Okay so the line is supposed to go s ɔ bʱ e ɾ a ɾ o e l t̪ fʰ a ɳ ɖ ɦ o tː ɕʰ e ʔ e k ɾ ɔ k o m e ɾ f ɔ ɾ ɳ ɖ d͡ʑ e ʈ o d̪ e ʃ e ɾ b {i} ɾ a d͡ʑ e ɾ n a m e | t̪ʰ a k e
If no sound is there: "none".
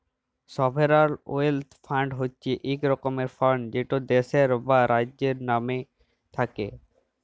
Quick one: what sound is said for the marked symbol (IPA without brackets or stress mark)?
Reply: a